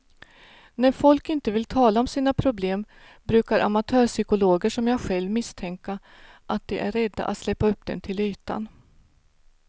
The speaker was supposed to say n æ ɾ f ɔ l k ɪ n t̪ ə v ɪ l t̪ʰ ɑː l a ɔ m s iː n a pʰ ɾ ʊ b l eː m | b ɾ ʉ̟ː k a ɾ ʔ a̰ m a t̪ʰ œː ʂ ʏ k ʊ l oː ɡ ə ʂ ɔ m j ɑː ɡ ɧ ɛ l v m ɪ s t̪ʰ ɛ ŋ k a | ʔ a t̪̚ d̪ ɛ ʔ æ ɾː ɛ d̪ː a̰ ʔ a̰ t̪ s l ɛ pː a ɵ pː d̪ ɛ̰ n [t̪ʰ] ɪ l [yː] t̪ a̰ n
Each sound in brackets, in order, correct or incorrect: correct, correct

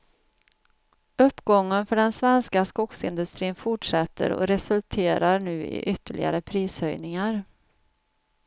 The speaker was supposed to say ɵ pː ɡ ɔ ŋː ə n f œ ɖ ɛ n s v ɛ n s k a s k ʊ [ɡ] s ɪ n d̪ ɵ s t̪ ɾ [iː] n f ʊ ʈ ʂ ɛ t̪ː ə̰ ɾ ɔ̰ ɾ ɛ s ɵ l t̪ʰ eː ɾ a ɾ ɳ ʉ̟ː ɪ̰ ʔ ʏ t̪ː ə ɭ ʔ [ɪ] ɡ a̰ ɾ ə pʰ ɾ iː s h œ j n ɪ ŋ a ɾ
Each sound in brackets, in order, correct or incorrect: incorrect: k, correct, correct

